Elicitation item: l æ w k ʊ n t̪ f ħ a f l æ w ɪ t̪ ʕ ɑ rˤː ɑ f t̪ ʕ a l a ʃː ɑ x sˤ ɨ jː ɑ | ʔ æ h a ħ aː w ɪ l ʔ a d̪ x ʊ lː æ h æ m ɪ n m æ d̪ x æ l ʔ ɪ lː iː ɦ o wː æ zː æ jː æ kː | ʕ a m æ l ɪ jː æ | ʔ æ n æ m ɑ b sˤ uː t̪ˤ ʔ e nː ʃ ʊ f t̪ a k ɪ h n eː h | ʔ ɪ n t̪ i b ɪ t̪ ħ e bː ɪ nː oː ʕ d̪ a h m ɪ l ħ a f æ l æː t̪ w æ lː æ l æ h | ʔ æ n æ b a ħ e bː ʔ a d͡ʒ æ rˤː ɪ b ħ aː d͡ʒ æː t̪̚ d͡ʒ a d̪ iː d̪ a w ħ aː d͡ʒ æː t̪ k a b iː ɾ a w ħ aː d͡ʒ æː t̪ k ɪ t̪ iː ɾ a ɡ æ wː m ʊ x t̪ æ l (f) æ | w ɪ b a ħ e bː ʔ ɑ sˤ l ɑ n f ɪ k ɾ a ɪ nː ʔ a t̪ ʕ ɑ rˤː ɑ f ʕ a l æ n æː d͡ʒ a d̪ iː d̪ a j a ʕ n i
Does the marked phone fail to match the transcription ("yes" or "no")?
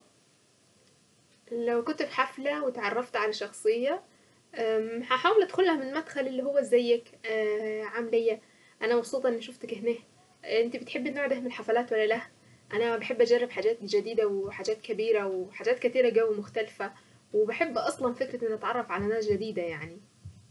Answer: no